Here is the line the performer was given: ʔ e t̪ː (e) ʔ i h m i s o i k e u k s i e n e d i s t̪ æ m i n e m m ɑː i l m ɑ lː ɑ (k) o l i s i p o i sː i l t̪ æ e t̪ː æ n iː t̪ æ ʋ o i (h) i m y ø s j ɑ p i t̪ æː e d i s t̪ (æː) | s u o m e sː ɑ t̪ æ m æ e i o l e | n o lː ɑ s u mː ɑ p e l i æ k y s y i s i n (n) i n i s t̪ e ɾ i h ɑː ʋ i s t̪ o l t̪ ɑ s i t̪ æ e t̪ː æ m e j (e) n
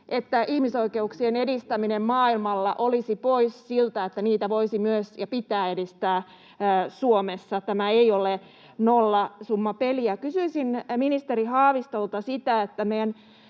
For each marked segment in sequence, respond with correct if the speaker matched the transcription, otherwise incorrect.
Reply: incorrect: æ, incorrect: ʔ, incorrect: s, correct, incorrect: m, incorrect: æ

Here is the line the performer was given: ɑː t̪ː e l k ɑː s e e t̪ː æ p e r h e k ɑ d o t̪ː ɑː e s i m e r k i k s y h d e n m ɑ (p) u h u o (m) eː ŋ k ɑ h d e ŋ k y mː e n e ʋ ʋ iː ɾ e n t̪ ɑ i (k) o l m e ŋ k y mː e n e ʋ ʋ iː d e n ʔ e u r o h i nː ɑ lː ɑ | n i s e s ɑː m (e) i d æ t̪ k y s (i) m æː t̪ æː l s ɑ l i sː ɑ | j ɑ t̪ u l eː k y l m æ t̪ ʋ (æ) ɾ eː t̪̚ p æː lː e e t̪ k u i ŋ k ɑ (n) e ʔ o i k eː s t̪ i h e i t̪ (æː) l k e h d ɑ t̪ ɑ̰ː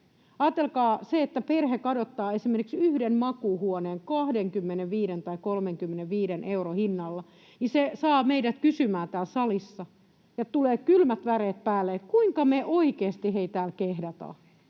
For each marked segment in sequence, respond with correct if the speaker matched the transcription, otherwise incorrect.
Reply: incorrect: k, incorrect: n, correct, correct, incorrect: y, correct, incorrect: m, correct

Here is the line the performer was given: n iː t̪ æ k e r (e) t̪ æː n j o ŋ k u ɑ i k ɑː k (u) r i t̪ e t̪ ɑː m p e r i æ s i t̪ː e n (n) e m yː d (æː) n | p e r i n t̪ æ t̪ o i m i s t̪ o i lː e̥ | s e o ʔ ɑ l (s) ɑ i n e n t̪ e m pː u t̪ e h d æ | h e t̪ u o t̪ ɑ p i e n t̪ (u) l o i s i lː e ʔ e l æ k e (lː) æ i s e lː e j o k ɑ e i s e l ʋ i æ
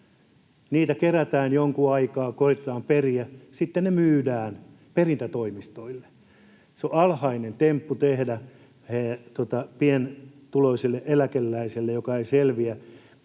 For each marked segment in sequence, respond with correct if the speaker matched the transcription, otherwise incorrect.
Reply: incorrect: æ, incorrect: o, correct, correct, incorrect: h, correct, correct

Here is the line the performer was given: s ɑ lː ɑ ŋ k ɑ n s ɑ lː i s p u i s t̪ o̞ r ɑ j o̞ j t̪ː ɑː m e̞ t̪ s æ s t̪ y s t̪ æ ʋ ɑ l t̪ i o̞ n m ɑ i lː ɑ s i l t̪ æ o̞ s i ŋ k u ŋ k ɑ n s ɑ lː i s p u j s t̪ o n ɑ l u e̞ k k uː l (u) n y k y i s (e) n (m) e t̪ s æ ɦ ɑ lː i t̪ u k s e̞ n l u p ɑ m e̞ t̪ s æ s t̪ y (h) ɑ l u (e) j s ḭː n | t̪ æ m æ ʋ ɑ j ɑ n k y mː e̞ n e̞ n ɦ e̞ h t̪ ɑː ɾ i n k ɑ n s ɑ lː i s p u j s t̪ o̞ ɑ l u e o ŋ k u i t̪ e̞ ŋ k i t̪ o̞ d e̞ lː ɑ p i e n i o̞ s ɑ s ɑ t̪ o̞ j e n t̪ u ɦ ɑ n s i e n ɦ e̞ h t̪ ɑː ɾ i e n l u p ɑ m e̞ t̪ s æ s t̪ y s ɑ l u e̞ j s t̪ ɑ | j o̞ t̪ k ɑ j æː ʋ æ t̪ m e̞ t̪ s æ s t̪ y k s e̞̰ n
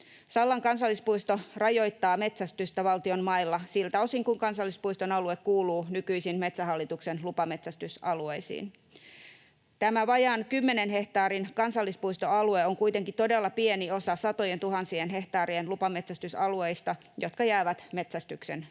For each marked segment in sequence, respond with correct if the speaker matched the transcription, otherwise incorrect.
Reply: incorrect: uː, incorrect: i, correct, incorrect: s, correct

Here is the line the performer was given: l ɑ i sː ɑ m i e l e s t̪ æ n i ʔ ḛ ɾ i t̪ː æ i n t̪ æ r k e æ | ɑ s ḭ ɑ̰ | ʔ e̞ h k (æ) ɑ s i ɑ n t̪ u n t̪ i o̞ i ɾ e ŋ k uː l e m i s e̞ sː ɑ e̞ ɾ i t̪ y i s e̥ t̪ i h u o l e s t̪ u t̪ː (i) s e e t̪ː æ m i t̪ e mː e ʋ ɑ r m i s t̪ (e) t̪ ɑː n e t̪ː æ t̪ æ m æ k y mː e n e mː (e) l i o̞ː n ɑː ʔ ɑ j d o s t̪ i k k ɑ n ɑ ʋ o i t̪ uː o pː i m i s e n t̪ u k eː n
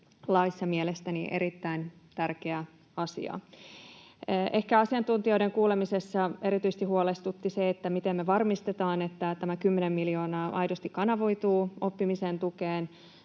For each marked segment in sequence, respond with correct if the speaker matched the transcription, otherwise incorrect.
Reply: correct, correct, correct, incorrect: i

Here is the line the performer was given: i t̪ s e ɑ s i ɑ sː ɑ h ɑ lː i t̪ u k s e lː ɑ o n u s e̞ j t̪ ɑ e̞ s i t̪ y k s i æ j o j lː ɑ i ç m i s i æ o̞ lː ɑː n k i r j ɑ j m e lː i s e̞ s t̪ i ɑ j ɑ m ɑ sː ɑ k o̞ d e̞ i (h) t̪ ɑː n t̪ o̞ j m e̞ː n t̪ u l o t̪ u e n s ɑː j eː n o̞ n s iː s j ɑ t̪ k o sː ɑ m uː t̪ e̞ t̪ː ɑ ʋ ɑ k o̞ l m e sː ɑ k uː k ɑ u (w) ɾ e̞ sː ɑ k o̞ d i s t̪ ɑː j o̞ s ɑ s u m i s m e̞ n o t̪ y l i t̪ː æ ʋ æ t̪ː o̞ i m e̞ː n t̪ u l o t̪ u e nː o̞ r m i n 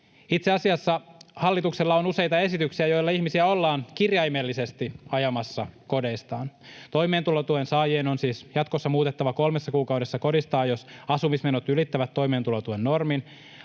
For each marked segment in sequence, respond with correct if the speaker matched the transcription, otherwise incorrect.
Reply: incorrect: s, correct

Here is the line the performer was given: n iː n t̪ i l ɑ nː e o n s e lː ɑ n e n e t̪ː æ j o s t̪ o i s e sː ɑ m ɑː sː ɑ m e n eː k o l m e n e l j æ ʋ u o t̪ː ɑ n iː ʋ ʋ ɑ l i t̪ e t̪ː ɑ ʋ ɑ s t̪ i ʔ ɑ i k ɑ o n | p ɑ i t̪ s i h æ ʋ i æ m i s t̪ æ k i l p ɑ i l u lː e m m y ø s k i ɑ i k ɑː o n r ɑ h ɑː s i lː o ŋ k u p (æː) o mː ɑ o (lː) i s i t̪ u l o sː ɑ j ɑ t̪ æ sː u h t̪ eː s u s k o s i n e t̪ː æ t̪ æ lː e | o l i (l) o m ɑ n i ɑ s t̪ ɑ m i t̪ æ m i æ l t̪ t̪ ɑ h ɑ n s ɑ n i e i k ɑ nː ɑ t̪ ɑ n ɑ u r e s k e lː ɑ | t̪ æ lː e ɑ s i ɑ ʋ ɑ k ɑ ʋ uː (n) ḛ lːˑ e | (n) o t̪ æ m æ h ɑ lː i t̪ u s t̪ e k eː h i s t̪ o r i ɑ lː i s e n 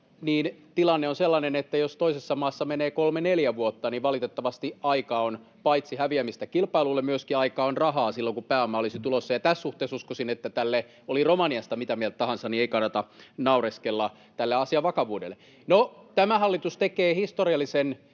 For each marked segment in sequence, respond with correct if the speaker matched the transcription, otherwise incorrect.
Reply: correct, incorrect: l, incorrect: r, incorrect: d, correct

